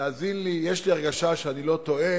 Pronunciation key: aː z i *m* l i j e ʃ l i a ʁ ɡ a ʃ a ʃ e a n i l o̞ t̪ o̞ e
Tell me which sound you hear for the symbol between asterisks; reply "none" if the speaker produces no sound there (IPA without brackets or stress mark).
n